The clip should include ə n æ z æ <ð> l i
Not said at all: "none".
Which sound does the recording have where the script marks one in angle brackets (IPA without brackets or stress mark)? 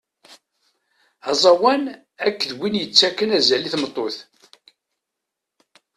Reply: none